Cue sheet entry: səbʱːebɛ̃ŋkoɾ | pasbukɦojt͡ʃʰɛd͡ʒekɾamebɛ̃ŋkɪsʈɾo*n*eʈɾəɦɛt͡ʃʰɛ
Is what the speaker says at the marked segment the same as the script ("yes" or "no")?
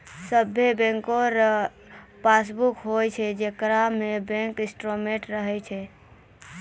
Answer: no